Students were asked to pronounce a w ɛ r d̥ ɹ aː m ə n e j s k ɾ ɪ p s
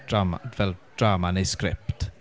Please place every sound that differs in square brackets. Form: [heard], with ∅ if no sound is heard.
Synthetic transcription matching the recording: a [v] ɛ [l] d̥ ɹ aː m [a] n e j s k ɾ ɪ p [t]

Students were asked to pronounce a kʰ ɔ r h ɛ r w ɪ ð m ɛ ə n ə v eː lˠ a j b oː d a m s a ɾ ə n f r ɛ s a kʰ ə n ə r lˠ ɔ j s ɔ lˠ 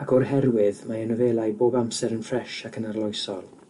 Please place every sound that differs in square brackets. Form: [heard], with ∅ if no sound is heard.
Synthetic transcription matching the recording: a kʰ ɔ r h ɛ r w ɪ ð m [a] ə n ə v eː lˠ a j b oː [b] a m s [ɛ] ɾ ə n f r ɛ [ʃ] a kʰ ə n [a] r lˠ ɔ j s ɔ lˠ

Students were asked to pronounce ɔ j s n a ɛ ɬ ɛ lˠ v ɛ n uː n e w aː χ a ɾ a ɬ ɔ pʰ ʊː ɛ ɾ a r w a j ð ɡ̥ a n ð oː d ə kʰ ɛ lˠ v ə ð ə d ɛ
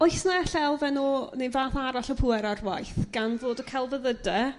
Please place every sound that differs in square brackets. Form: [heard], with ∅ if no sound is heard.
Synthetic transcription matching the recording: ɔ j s n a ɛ ɬ ɛ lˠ v ɛ n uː n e [v] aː [θ] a ɾ a ɬ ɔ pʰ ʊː ɛ ɾ a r w a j [θ] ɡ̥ a n [v] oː d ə kʰ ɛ lˠ v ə ð ə d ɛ

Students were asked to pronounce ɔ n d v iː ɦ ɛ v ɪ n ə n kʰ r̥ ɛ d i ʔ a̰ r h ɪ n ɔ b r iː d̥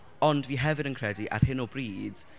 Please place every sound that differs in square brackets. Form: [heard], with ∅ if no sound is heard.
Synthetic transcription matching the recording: ɔ n d v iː ɦ ɛ v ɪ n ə n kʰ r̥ ɛ d i ʔ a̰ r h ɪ n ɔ b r iː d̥

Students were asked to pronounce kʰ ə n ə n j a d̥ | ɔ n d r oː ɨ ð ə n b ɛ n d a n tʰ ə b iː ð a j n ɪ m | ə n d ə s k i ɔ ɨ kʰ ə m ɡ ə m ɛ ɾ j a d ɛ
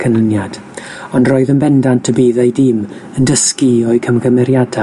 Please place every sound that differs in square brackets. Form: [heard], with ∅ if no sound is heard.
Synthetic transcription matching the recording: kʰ ə n ə n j a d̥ | ɔ n d r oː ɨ ð ə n b ɛ n d a n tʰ ə b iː ð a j [d] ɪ m | ə n d ə s k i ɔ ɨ kʰ ə m ɡ ə m ɛ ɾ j a d [a]

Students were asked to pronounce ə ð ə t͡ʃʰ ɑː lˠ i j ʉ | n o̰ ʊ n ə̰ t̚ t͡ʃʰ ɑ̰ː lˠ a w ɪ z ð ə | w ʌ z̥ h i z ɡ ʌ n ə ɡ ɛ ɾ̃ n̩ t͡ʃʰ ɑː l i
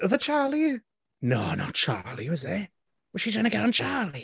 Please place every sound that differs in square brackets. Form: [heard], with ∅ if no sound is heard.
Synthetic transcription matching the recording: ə ð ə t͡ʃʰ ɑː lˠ i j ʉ | n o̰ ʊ n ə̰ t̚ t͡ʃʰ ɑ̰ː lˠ [i] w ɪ z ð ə | w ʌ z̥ [ʃ] i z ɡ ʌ n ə ɡ ɛ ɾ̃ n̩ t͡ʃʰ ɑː l i

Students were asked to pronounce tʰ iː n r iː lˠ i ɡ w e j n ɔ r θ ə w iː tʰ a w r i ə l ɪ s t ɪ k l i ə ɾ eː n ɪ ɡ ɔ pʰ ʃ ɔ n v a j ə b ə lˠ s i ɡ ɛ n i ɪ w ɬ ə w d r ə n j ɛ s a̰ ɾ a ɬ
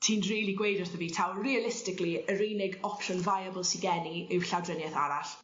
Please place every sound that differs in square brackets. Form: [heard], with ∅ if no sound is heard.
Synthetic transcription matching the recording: tʰ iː n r iː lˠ i ɡ w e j [d] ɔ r θ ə [v] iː tʰ a w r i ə l ɪ s t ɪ k l i ə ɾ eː n ɪ ɡ ɔ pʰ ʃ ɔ n v a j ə b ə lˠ s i ɡ ɛ n i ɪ w ɬ [a] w d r ə n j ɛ [θ] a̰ ɾ a ɬ

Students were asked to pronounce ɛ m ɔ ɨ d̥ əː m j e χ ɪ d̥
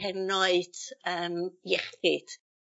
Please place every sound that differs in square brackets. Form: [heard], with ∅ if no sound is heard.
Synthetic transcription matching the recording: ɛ [n] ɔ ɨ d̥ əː m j [ɛ] χ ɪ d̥

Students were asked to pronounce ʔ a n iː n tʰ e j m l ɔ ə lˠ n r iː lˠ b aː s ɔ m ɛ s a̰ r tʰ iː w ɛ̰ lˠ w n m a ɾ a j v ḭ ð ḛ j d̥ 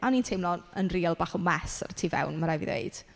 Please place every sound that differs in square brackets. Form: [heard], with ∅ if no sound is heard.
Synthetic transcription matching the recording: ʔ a n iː n tʰ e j m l ɔ ə [∅] n r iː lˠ b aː [χ] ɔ m ɛ s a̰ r tʰ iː [v] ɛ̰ [∅] w n m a ɾ a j v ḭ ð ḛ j d̥

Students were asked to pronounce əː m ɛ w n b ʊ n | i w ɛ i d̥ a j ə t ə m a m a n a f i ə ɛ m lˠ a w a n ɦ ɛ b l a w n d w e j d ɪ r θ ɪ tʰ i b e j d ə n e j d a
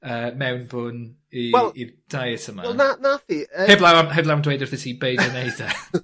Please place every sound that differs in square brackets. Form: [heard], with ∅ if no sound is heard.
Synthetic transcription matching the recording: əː m ɛ w n b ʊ n | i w ɛ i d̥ a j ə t ə m a [n] a n a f i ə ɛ [b] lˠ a w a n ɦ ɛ b l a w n d w e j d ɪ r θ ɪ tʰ i b e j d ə n e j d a

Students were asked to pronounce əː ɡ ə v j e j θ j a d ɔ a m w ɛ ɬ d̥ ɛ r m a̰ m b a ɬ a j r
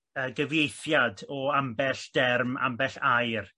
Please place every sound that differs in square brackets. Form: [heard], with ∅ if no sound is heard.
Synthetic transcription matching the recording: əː ɡ ə v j e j θ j a d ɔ a m [b] ɛ ɬ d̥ ɛ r m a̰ m b [ɛ] ɬ a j r

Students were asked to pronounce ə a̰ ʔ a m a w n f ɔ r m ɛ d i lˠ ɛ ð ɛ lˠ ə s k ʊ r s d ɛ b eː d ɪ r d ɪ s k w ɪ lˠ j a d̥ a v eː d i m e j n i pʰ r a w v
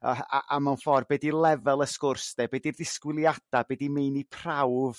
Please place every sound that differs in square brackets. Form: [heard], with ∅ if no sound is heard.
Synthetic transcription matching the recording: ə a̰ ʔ a m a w n f ɔ r [b] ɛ d i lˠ ɛ [v] ɛ lˠ ə s k ʊ r s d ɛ b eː d [i] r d ɪ s k w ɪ lˠ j a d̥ a [b] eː d i m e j n i pʰ r a w v

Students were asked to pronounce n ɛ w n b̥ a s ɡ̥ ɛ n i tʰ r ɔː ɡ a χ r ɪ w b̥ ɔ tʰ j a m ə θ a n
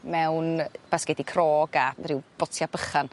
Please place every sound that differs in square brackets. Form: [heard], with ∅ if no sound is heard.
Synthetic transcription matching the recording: [m] ɛ w n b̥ a s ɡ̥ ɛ [d] i [kʰ] r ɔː ɡ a [∅] r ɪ w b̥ ɔ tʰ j a [b] ə [χ] a n

